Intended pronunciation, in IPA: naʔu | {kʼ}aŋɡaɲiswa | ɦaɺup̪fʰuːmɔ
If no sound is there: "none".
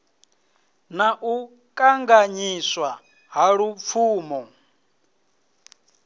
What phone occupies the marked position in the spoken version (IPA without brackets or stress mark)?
kʼ